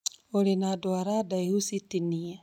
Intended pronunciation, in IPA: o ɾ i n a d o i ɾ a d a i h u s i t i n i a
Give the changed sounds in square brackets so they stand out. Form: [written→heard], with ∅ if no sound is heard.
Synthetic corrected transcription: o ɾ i n a d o [i→a] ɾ a d a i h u s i t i n i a